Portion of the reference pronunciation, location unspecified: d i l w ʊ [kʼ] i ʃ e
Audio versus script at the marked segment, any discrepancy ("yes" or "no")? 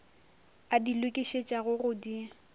no